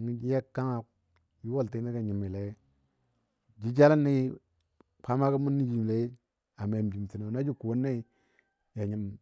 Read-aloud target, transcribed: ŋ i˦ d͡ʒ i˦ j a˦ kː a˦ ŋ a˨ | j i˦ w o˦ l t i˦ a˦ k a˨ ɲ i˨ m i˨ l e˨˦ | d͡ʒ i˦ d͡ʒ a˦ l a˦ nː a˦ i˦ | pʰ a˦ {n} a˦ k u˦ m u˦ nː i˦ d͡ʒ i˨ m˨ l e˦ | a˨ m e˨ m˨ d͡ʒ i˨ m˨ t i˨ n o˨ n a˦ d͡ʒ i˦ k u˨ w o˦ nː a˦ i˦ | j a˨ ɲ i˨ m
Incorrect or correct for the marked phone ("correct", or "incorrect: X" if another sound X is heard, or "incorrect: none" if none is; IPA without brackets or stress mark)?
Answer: incorrect: m